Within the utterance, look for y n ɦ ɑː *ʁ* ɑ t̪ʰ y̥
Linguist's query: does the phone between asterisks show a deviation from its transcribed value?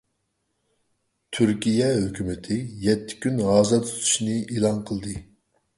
yes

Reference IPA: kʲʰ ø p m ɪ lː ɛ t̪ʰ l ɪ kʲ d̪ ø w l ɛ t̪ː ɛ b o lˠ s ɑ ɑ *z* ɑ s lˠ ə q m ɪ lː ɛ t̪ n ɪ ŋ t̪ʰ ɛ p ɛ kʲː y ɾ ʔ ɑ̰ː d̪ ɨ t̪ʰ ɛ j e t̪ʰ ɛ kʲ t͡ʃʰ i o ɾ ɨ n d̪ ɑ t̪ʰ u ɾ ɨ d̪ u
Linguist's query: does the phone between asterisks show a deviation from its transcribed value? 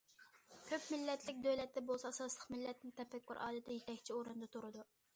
yes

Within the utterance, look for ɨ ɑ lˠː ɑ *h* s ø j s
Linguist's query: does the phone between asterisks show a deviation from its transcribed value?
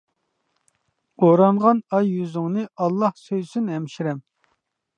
no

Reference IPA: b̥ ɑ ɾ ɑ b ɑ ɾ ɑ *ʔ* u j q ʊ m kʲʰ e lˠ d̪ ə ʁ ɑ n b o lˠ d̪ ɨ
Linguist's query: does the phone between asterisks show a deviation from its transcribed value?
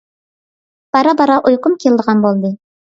no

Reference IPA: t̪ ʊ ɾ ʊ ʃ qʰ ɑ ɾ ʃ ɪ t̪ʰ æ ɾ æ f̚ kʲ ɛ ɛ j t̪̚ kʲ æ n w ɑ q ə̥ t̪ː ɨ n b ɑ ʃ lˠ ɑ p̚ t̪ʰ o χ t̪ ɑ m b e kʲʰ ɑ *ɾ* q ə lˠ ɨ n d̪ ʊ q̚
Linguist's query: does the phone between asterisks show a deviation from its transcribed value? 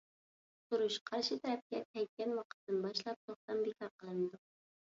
no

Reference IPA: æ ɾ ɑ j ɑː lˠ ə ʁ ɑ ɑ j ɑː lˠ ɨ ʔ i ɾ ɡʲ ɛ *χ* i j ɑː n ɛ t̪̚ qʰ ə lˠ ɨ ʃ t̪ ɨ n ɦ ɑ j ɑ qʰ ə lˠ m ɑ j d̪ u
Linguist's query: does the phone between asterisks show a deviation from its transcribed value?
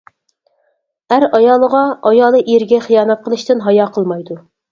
no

